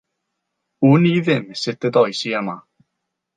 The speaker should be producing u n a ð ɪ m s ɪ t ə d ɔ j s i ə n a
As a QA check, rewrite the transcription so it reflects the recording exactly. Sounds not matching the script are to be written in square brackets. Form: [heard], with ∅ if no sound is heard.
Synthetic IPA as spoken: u n [i] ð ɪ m s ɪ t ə d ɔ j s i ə [m] a